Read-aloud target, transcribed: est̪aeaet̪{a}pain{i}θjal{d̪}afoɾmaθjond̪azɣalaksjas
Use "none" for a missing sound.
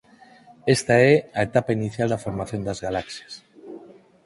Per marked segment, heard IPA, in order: a, i, d̪

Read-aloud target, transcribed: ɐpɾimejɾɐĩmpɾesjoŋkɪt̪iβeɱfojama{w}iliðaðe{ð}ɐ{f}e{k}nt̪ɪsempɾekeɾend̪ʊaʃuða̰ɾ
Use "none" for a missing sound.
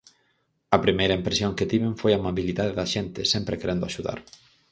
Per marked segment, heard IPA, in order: β, ð, ʃ, none

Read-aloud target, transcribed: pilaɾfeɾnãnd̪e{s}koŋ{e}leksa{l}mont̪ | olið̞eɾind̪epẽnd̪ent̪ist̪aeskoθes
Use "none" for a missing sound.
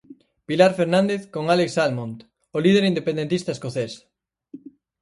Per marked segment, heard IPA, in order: θ, a, l

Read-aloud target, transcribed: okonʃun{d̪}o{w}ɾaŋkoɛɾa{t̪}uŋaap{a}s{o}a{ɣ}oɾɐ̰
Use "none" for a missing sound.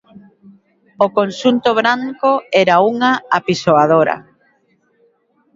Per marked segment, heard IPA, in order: t̪, β, none, i, o, ð

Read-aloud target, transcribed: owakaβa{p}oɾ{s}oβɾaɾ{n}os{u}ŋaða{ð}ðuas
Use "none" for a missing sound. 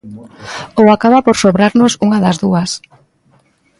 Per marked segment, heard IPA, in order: p, s, n, u, z

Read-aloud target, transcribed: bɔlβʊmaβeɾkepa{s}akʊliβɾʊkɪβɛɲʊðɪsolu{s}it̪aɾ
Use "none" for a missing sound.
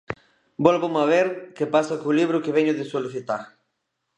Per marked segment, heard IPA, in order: s, θ

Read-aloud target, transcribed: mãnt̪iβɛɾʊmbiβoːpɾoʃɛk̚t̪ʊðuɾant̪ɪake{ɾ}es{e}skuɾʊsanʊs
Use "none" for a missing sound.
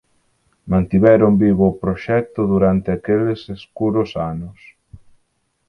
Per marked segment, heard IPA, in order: l, e

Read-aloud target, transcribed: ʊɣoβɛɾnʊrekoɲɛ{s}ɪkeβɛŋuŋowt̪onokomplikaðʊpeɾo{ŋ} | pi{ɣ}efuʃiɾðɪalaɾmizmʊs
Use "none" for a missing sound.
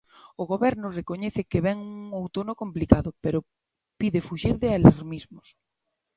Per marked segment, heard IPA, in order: θ, none, ð

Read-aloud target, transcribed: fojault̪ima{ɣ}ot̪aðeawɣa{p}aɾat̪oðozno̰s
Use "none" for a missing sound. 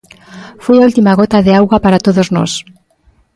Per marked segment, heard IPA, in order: ɣ, p

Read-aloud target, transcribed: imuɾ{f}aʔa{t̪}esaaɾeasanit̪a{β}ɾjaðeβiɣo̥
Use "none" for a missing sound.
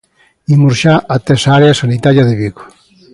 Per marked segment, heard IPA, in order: ʃ, t̪, none

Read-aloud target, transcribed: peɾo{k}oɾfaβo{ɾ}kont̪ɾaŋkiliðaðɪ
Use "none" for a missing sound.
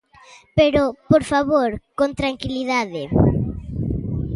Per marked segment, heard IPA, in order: p, ɾ

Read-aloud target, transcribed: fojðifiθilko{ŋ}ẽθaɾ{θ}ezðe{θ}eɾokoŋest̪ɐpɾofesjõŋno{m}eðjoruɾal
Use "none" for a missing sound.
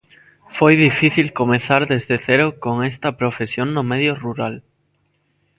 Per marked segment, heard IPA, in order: m, ð, θ, m

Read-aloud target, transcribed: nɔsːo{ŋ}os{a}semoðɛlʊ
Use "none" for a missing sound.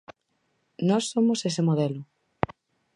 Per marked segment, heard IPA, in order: m, e

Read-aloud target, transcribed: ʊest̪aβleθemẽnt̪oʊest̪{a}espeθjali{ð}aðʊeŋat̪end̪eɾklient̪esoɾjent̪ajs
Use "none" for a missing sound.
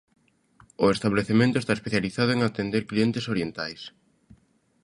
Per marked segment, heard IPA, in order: a, θ

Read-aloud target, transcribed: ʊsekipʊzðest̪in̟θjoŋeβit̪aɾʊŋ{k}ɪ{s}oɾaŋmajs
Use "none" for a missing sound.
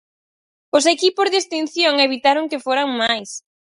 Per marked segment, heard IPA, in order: k, f

